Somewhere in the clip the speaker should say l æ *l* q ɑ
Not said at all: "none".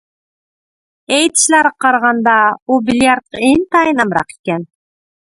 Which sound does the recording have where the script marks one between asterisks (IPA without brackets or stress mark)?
ɾ